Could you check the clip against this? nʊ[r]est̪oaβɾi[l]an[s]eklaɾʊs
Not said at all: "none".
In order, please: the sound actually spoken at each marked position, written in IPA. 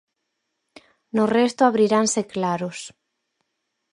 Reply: r, ɾ, s

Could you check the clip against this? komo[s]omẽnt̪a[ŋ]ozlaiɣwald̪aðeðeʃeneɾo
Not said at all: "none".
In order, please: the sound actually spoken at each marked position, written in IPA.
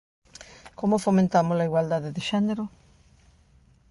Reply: f, m

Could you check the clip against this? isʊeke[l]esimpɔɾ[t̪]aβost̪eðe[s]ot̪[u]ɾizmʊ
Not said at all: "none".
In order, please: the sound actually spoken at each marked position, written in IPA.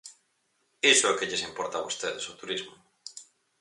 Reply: ʎ, t̪, s, u

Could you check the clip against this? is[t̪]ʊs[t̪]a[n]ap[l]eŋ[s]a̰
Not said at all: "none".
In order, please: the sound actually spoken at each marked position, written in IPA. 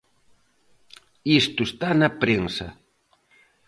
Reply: t̪, t̪, n, ɾ, s

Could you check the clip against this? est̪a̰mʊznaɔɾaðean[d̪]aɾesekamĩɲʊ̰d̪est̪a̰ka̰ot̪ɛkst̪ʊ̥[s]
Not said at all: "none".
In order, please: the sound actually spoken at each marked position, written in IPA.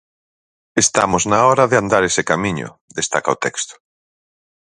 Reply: d̪, none

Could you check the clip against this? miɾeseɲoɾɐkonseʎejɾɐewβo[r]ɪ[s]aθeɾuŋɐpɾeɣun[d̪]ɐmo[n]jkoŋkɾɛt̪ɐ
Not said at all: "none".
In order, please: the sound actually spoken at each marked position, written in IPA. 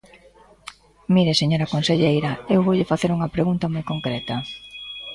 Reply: ʎ, f, t̪, none

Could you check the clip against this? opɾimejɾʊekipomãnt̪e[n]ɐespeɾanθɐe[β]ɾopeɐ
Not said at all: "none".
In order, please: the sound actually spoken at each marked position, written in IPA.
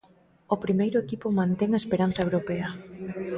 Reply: ŋ, w

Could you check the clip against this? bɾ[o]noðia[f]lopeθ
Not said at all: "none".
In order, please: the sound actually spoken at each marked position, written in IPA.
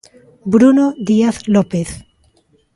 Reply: u, θ

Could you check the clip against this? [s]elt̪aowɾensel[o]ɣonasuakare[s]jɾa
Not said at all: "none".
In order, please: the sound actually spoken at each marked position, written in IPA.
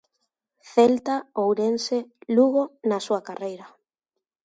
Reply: θ, u, none

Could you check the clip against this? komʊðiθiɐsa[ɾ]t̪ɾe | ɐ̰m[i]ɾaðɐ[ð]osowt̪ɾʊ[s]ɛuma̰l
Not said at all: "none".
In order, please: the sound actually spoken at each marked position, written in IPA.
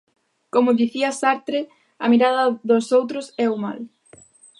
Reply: ɾ, i, ð, s

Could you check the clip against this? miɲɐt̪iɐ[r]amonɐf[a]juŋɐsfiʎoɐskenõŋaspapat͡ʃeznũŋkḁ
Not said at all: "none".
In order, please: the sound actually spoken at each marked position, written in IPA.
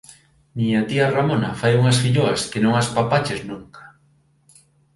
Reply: r, a

